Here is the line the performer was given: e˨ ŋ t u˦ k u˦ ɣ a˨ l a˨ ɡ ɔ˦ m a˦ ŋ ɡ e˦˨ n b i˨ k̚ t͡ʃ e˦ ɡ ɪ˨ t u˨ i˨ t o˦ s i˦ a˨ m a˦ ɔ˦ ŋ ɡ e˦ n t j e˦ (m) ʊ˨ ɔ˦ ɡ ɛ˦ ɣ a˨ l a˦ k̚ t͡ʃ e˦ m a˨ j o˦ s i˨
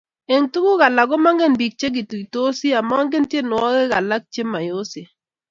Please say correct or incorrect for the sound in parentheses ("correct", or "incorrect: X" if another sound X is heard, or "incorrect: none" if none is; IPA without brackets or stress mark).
incorrect: n